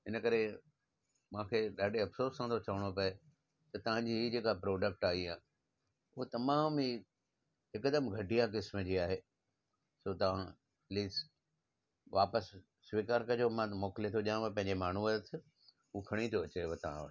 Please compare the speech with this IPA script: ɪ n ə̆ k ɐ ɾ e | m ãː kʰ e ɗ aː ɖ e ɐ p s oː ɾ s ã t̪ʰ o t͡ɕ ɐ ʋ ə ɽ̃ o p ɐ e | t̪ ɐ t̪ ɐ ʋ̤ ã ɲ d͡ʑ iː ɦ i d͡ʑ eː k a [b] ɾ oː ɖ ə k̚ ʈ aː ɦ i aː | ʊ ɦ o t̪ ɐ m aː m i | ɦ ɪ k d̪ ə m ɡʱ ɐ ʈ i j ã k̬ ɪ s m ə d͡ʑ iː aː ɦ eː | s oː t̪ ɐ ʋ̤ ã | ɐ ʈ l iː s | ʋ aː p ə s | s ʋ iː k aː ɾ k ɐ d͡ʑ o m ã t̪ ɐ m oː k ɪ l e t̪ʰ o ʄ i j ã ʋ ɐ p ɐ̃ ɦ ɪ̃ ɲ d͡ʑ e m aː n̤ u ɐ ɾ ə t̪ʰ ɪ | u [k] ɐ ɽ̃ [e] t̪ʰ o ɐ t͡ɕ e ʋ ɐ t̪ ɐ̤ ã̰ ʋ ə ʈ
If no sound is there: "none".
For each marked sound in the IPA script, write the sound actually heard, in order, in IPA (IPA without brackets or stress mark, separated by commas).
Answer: p, kʰ, i